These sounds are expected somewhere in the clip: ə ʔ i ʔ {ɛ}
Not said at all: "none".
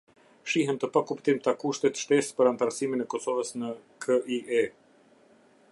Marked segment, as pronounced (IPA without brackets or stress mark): ɛ